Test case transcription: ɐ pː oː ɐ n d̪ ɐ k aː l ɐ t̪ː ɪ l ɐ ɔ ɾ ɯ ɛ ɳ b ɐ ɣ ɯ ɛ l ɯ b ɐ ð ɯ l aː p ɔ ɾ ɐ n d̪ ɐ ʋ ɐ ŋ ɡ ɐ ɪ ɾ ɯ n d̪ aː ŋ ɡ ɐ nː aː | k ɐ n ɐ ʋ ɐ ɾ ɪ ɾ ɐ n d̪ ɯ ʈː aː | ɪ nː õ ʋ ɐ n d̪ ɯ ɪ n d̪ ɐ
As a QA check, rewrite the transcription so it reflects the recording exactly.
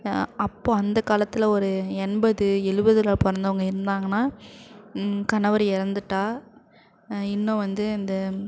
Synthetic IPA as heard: ɐ pː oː ɐ n d̪ ɐ k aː l ɐ t̪ː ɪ l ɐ ɔ ɾ ɯ ɛ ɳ b ɐ ð ɯ ɛ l ɯ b ɐ ð ɯ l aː p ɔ ɾ ɐ n d̪ ɐ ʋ ɐ ŋ ɡ ɐ ɪ ɾ ɯ n d̪ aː ŋ ɡ ɐ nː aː | k ɐ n ɐ ʋ ɐ ɾ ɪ ɾ ɐ n d̪ ɯ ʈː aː | ɪ nː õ ʋ ɐ n d̪ ɯ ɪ n d̪ ɐ